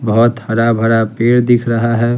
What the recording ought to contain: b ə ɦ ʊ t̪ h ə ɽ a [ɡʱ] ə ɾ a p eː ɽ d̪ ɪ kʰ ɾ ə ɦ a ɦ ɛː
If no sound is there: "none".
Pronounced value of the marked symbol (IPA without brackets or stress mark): bʱ